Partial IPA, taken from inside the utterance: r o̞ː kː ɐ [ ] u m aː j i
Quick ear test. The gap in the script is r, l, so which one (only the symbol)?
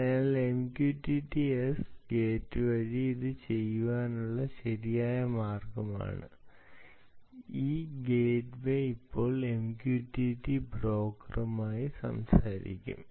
r